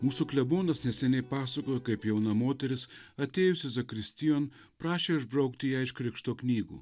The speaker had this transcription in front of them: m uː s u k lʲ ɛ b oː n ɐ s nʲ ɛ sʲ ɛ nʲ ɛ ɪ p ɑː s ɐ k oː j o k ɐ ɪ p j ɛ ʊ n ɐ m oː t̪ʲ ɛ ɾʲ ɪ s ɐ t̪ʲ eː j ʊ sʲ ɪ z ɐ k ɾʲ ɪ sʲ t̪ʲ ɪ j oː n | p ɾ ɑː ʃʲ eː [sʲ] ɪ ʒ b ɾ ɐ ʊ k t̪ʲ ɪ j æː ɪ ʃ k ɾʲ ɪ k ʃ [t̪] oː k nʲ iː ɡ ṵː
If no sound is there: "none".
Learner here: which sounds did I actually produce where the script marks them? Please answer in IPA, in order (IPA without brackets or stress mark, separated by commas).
none, t̪